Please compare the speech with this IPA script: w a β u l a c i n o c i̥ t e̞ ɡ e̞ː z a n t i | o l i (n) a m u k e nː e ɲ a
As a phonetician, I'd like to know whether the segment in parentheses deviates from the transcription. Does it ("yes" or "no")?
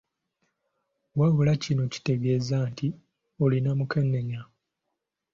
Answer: no